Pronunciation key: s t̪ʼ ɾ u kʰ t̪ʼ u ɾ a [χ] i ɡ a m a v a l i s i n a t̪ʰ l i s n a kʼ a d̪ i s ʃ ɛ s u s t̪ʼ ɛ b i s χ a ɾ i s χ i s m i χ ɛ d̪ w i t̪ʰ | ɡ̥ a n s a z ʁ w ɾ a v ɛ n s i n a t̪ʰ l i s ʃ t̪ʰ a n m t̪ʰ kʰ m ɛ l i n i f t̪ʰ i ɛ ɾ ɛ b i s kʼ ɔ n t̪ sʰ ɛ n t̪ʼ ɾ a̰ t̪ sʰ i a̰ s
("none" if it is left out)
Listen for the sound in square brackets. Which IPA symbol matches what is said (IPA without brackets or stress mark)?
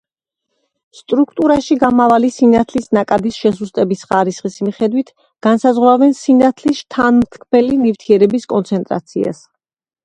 ʃ